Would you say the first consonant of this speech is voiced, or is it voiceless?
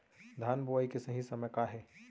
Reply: voiced